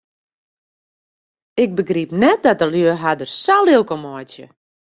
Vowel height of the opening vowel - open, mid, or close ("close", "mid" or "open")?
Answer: close